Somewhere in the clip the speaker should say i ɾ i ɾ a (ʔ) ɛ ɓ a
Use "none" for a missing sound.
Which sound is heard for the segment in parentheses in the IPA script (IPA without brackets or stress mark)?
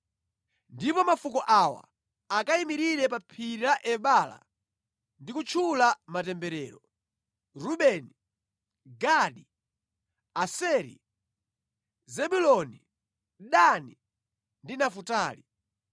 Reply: ʔ